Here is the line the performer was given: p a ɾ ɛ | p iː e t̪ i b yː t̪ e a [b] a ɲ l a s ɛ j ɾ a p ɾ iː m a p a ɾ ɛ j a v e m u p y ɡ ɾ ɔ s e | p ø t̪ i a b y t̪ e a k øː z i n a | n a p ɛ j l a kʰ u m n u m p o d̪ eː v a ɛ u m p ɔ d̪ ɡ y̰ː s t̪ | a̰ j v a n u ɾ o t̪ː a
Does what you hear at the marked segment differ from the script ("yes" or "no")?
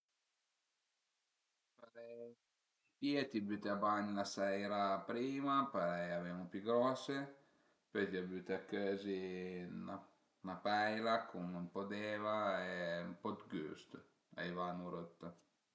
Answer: no